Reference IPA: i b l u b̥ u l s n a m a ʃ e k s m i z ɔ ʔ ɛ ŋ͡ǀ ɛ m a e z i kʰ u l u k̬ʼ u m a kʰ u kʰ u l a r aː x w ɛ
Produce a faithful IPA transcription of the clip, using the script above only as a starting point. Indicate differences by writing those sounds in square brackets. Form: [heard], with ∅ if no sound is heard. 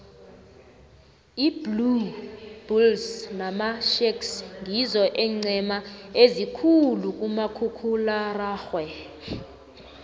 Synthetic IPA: i b l u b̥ u l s n a m a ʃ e k s [ŋ] i z ɔ ʔ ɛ ŋ͡ǀ ɛ m a e z i kʰ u l u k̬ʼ u m a kʰ u kʰ u l a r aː x w ɛ